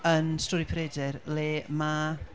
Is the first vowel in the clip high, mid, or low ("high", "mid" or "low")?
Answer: mid